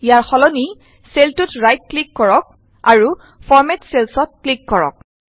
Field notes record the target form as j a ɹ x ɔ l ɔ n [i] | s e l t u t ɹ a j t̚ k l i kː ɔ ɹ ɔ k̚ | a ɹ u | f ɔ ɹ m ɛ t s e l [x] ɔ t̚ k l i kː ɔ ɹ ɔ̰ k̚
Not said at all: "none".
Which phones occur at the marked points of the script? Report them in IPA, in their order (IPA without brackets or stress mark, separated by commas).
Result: i, s